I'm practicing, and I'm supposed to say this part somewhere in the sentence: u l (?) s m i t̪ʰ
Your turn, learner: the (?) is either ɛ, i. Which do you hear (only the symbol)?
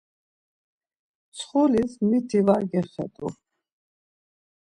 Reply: i